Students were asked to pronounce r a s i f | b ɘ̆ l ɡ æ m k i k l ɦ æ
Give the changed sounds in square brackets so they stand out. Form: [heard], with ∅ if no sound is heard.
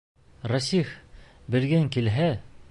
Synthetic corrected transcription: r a s i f | b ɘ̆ [ɾ] ɡ æ [ŋ] k i [∅] l ɦ æ